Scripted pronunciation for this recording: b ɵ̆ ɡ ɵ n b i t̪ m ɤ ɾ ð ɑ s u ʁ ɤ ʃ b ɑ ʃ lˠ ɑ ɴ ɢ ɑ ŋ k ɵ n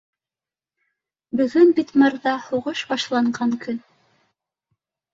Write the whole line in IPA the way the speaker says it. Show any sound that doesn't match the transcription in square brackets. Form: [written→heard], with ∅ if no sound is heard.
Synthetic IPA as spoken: b ɵ̆ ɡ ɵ n b i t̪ m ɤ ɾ ð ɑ [s→h] u ʁ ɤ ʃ b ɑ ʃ lˠ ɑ ɴ ɢ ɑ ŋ k ɵ n